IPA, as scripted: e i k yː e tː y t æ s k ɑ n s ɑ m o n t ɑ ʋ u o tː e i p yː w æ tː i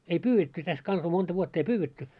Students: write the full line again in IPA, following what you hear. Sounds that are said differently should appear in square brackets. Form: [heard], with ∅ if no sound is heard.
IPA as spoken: e i [p] yː e tː y t æ s k ɑ n s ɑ m o n t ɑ ʋ u o tː e i p yː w [e] tː [y]